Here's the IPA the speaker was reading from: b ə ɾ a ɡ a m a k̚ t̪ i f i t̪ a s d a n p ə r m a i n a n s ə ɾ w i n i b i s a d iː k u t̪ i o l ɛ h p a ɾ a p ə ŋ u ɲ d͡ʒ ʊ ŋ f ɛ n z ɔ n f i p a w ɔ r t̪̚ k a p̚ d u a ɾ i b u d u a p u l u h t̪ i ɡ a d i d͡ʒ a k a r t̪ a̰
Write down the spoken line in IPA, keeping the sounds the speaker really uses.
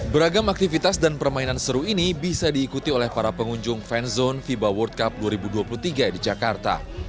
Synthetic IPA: b ə ɾ a ɡ a m a k̚ t̪ i f i t̪ a s d a n p ə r m a i n a n s ə ɾ u i n i b i s a d iː k u t̪ i o l ɛ h p a ɾ a p ə ŋ u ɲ d͡ʒ ʊ ŋ f ɛ n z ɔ n f i b a w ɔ r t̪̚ k a p̚ d u a ɾ i b u d u a p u l u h t̪ i ɡ a d i d͡ʒ a k a r t̪ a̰